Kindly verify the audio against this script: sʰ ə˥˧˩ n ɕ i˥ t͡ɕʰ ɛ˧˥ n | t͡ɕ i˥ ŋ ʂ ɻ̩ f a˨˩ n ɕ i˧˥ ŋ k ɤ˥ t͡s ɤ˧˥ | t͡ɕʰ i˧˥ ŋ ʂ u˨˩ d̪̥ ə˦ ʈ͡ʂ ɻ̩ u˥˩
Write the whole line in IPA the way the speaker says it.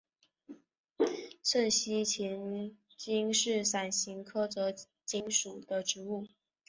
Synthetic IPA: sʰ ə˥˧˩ n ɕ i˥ t͡ɕʰ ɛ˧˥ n | t͡ɕ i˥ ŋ ʂ ɻ̩ s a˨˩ n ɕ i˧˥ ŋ kʰ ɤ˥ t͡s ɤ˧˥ | t͡ɕ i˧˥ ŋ ʂ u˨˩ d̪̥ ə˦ ʈ͡ʂ ɻ̩ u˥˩